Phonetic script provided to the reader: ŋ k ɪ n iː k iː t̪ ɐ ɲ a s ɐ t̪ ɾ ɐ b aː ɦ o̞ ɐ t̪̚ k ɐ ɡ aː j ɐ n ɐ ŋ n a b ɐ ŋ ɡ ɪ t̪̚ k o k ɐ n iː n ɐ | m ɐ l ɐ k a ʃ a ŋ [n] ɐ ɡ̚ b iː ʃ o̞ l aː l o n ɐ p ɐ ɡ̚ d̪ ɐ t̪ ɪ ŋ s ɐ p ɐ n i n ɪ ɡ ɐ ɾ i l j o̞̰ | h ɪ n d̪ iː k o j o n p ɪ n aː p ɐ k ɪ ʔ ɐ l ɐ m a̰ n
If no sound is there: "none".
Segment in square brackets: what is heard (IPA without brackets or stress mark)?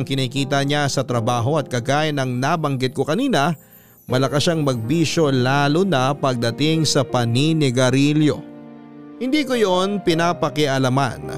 m